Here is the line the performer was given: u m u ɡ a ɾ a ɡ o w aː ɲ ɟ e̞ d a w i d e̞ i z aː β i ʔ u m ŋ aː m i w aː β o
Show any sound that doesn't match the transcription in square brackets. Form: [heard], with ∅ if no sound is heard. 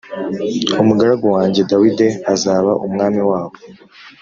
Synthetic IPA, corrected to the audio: u m u ɡ a ɾ a ɡ o w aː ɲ ɟ e̞ d a w i d e̞ [a] z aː β [a] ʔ u m ŋ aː m i w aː β o